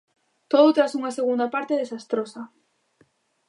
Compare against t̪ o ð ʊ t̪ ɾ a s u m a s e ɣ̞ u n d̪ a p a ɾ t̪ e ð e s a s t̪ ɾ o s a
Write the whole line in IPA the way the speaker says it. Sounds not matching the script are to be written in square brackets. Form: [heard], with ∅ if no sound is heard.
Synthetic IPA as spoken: t̪ o ð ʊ t̪ ɾ a s u [ŋ] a s e ɣ̞ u n d̪ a p a ɾ t̪ e ð e s a s t̪ ɾ o s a